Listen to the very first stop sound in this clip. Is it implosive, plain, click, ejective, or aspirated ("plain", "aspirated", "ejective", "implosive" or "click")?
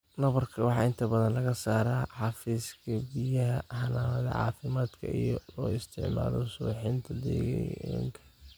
aspirated